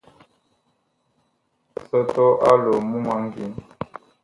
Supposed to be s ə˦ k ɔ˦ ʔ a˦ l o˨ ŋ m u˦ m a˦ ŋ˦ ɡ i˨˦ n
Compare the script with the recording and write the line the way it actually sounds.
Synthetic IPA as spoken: s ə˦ t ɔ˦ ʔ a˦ l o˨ m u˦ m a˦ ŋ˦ ɡ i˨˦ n